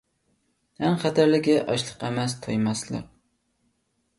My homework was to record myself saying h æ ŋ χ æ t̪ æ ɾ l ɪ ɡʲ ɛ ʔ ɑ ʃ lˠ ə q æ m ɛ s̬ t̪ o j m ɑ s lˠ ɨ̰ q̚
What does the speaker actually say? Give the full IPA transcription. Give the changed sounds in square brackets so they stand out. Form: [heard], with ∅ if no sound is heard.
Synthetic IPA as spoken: h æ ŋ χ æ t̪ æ ɾ l ɪ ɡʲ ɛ ʔ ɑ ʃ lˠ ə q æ m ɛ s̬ [t̪ʰ] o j m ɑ s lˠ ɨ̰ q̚